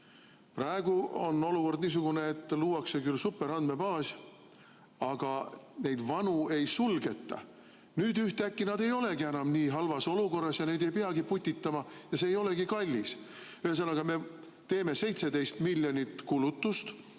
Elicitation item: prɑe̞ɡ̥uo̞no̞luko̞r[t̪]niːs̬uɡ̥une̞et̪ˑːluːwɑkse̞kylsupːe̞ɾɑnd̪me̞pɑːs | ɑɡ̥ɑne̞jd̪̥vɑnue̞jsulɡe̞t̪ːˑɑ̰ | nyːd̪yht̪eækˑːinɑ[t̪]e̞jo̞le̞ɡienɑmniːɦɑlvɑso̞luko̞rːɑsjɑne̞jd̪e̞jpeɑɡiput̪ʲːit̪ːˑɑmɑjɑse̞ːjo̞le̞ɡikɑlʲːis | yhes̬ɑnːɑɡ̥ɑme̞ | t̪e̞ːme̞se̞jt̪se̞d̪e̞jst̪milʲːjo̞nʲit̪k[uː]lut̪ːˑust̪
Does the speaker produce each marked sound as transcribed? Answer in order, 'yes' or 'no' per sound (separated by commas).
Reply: no, no, no